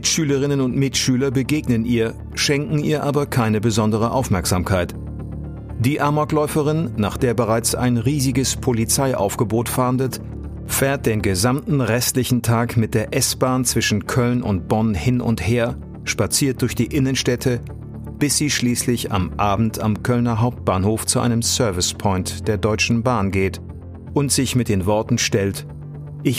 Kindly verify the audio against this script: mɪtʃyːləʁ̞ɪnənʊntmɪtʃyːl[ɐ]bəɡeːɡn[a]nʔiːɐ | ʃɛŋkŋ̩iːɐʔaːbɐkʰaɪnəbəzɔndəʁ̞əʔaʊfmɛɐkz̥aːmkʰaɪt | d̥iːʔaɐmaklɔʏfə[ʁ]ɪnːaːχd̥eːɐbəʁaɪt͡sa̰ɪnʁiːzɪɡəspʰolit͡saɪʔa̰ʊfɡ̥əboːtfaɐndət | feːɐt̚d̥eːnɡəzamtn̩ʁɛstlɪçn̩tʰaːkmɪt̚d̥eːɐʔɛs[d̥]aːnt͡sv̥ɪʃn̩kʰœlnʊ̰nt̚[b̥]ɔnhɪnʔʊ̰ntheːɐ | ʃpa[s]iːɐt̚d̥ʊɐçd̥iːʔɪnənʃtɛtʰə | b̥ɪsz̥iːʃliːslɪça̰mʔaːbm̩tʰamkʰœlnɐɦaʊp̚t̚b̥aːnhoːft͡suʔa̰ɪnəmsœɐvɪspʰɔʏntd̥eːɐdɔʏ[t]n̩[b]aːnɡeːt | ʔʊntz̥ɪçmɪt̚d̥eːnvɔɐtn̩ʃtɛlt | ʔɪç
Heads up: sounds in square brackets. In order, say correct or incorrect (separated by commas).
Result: correct, incorrect, correct, incorrect, correct, incorrect, incorrect, correct